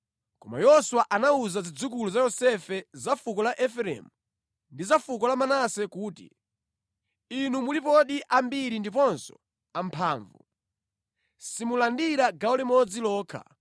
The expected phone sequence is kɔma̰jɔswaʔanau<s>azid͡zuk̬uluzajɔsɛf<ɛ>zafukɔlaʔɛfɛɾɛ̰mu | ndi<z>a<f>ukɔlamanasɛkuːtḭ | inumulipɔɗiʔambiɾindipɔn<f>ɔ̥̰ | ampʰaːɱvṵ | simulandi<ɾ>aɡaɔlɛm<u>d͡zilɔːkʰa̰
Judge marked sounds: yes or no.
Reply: no, yes, yes, yes, no, yes, no

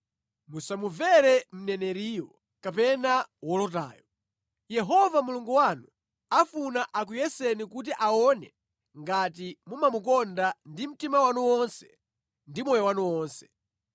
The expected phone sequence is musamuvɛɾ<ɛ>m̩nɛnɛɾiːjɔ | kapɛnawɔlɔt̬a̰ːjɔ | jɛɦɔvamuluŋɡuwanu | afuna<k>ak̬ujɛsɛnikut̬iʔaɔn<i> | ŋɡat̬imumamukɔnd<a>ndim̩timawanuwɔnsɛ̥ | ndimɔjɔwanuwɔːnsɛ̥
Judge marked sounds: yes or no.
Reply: yes, no, no, yes

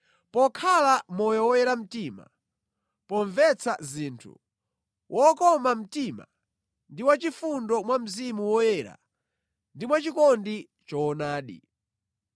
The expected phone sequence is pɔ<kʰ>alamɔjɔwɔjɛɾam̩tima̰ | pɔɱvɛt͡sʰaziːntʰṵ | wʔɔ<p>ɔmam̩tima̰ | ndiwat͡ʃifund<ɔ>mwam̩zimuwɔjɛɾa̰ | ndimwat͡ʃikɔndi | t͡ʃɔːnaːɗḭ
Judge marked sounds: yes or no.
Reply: yes, no, yes

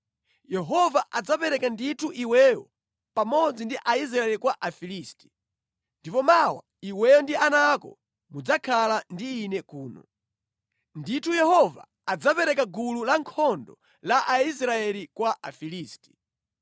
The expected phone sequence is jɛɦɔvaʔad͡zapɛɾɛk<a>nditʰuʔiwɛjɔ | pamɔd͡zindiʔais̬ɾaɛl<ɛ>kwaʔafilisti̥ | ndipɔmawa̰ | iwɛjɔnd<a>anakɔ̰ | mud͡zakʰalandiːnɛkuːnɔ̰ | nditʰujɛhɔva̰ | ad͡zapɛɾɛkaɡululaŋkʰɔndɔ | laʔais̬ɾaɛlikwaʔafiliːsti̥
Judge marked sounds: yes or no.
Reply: yes, no, no

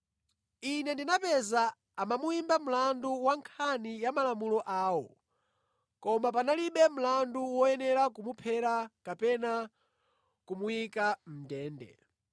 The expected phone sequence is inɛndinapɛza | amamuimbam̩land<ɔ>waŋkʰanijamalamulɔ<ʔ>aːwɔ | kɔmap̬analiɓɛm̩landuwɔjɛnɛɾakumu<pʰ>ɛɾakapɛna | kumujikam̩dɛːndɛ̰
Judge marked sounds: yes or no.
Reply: no, yes, yes

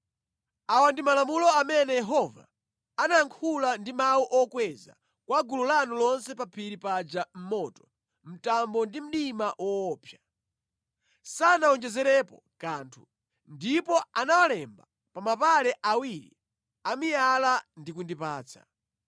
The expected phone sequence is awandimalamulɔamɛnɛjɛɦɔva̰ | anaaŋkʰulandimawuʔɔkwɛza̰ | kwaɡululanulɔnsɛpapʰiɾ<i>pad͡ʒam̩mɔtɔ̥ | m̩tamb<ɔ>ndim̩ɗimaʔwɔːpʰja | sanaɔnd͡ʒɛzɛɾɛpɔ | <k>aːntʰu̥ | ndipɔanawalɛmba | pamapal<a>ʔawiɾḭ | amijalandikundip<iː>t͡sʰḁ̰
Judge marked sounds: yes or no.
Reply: yes, yes, yes, no, no

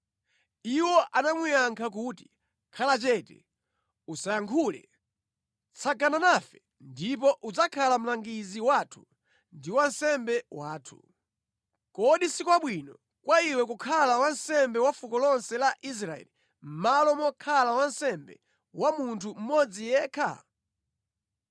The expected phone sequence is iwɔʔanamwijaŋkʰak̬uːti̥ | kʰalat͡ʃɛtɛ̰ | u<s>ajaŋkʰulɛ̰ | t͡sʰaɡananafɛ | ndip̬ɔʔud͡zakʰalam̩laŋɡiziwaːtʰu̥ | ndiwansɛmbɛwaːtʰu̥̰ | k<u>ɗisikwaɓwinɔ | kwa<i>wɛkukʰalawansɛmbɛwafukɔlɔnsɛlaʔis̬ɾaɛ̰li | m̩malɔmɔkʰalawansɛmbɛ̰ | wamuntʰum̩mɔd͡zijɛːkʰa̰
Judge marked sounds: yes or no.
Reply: yes, no, yes

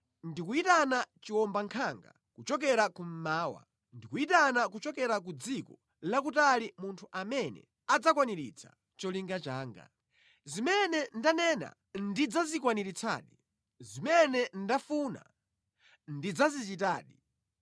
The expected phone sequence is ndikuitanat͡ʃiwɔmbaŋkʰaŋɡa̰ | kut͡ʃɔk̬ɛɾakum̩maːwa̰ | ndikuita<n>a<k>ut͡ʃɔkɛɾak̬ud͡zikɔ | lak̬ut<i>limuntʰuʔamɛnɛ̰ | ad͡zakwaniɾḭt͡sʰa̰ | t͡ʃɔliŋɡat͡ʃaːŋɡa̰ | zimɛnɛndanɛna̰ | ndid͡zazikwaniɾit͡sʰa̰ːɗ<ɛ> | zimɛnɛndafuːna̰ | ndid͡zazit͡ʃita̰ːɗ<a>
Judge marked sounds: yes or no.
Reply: yes, yes, no, no, no

